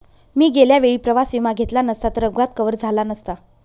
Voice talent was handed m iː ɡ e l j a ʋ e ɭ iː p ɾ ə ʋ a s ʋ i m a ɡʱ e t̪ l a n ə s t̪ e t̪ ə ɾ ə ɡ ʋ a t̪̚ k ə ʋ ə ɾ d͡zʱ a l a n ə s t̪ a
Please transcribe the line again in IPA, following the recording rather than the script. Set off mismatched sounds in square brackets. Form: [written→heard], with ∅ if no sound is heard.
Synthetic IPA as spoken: m iː ɡ e l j a ʋ e ɭ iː p ɾ ə ʋ a s ʋ i m a ɡʱ e t̪ l a n ə s t̪ [e→a] t̪ ə ɾ ə ɡ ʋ a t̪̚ k ə ʋ ə ɾ d͡zʱ a l a n ə s t̪ a